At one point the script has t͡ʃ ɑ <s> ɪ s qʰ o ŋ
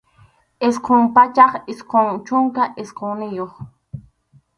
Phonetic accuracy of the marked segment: incorrect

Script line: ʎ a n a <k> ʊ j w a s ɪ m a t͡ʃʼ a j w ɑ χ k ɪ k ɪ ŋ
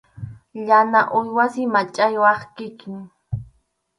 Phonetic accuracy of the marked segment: incorrect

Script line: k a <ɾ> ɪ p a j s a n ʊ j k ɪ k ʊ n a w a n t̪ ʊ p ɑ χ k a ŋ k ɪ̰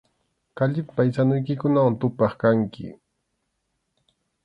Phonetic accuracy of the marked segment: incorrect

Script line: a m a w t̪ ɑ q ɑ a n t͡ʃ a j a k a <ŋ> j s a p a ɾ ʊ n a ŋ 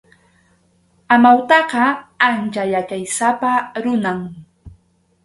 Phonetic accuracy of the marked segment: incorrect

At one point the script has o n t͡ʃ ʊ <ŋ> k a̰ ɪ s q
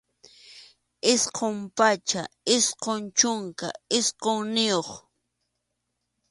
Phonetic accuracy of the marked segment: correct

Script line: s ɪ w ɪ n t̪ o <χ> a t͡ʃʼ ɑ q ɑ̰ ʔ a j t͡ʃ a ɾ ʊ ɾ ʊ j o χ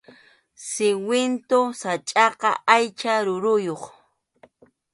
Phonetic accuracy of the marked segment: incorrect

